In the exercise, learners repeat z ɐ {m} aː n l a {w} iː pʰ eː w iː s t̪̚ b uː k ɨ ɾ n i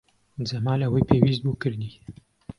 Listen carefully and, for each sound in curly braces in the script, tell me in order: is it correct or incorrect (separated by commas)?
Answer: correct, correct